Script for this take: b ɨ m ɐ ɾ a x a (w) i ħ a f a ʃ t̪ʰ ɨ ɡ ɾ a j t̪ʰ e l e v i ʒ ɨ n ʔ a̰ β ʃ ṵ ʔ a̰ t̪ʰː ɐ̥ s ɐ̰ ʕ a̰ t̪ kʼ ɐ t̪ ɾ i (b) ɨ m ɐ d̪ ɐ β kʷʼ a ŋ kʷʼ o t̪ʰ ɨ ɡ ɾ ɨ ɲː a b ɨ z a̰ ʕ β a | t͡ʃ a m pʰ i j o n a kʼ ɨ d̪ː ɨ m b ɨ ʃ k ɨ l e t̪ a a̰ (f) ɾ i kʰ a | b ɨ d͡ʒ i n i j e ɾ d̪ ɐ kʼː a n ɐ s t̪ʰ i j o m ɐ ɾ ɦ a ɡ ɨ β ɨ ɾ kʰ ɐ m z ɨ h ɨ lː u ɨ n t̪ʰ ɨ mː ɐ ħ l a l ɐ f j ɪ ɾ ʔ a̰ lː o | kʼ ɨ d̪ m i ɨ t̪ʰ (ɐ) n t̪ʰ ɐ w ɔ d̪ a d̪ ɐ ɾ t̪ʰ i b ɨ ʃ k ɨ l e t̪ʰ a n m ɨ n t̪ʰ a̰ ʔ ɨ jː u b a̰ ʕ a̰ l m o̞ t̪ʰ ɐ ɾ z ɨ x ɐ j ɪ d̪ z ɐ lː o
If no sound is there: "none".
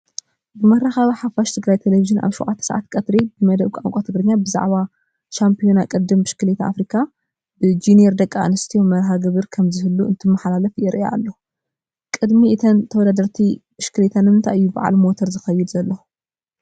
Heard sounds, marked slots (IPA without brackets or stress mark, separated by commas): β, b, f, ɐ